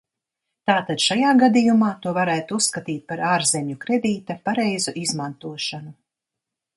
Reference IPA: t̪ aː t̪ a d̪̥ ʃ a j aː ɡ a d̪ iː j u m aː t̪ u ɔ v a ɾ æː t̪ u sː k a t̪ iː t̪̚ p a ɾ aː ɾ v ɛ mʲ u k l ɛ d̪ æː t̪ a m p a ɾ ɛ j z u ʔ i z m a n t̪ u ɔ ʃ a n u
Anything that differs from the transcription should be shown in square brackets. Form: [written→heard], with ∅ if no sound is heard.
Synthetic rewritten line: t̪ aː t̪ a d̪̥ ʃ a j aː ɡ a d̪ [iː→i] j u m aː t̪ u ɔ v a ɾ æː t̪ u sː k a t̪ iː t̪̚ p a ɾ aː ɾ [v→z] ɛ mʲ u k [l→ɾ] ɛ d̪ [æː→iː] t̪ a [m→∅] p a ɾ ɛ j z u ʔ i z m a n t̪ u ɔ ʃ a n u